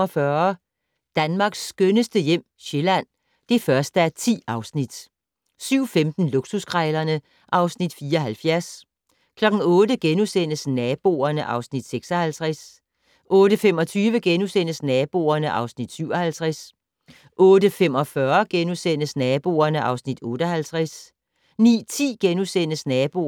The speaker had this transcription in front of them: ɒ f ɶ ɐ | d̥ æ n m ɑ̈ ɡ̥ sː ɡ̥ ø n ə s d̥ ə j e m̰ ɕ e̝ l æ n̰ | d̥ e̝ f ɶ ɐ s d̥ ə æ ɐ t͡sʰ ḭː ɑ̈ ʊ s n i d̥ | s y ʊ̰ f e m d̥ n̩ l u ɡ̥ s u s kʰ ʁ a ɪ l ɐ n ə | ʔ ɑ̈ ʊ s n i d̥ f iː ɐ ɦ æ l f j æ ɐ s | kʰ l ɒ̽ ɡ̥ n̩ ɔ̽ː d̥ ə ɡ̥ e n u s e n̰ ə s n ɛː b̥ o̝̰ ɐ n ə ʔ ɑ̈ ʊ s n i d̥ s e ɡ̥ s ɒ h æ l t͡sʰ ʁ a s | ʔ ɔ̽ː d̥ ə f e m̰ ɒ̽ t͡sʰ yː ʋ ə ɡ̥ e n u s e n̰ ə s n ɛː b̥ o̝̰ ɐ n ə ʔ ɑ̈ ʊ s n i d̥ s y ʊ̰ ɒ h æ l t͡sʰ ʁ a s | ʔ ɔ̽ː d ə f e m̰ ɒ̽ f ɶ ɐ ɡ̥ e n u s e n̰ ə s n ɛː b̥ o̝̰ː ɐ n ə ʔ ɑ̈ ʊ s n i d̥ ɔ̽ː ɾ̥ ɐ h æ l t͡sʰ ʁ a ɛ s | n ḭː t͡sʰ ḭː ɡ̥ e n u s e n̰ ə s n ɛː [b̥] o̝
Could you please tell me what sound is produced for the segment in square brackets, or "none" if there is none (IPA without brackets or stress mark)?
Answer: b̥